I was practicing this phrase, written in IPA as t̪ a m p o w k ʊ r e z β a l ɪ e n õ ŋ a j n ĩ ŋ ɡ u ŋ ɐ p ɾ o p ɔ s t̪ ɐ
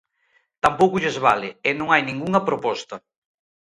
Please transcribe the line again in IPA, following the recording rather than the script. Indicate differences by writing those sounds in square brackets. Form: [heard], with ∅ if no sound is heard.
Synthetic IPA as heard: t̪ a m p o w k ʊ [ʎ] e z β a l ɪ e n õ ŋ a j n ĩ ŋ ɡ u ŋ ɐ p ɾ o p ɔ s t̪ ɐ